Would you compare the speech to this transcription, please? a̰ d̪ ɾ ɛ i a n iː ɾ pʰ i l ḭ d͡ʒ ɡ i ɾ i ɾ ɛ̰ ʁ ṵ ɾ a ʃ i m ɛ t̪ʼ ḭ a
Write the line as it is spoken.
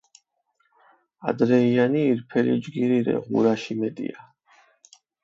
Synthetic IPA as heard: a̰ d̪ ɾ ɛ i a n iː ɾ pʰ ɛ l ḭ d͡ʒ ɡ i ɾ i ɾ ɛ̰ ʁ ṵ ɾ a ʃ i m ɛ t̪ʼ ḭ a